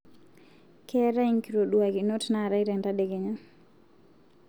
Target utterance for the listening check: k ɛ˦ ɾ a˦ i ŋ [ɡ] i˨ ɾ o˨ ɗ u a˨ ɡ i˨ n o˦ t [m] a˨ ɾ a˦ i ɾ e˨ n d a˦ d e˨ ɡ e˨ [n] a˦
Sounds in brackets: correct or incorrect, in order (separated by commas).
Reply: incorrect, incorrect, incorrect